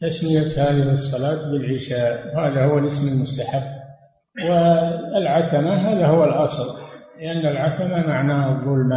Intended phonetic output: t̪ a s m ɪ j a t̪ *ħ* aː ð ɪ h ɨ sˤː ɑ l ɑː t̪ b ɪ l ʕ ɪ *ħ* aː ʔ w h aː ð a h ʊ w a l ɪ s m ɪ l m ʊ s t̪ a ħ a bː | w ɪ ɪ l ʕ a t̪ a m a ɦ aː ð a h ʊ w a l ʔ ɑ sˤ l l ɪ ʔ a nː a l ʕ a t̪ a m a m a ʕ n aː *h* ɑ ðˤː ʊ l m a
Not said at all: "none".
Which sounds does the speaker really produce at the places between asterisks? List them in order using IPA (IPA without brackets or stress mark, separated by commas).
h, ʃ, h